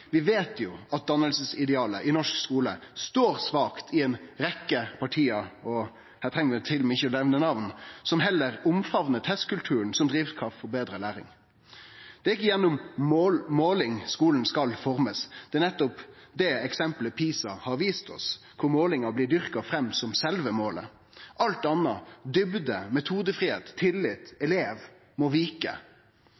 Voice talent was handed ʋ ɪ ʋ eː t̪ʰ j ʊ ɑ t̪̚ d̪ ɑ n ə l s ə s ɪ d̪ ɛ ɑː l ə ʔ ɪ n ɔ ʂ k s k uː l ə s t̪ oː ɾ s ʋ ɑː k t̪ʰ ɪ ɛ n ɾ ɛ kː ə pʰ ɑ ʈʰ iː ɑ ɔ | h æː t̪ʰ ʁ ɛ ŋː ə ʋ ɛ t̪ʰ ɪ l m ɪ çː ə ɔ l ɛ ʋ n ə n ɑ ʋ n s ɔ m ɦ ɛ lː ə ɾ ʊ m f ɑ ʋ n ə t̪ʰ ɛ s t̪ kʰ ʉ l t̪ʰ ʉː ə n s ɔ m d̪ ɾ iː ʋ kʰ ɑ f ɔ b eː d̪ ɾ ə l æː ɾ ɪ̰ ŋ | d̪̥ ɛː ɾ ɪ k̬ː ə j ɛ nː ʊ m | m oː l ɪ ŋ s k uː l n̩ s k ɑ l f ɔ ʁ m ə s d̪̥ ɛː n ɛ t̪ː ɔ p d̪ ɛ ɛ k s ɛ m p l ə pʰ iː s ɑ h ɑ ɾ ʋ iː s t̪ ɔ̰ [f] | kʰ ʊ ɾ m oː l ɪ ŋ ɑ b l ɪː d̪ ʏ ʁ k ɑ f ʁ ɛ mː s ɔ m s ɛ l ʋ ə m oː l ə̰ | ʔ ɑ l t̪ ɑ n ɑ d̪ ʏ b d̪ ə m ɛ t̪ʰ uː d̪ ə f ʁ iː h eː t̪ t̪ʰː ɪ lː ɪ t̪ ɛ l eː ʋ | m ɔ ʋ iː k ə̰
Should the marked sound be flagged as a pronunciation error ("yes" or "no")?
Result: yes